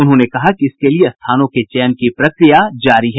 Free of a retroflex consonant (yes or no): yes